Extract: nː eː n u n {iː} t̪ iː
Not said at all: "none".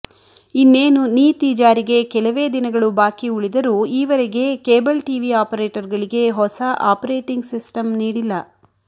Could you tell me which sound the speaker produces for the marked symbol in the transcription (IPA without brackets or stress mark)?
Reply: iː